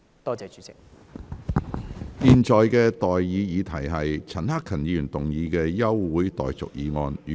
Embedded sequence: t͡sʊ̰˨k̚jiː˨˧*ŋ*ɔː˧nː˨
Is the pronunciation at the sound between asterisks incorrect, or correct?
correct